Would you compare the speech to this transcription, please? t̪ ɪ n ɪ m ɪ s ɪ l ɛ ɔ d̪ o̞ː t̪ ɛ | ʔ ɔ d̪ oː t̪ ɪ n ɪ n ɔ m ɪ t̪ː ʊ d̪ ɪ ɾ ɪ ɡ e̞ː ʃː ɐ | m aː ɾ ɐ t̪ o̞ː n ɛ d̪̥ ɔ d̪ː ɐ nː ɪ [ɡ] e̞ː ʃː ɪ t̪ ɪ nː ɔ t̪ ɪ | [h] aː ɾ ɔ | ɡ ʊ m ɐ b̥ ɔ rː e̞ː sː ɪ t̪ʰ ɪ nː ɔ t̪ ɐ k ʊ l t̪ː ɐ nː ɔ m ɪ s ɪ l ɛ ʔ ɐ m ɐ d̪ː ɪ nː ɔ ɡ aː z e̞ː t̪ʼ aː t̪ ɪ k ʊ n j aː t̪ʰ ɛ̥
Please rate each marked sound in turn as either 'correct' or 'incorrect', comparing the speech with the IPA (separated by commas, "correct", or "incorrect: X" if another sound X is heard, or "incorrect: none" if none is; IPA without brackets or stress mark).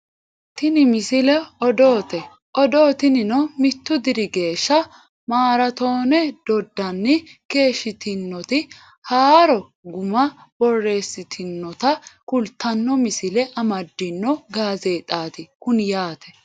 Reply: incorrect: k, correct